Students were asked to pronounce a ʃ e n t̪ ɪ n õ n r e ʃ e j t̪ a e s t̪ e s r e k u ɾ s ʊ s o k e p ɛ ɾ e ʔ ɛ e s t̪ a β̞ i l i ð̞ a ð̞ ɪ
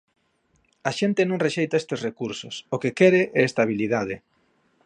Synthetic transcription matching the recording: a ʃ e n t̪ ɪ n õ ŋ r e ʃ e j t̪ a e s t̪ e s r e k u ɾ s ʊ s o k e k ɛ ɾ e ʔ ɛ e s t̪ a β̞ i l i ð̞ a ð̞ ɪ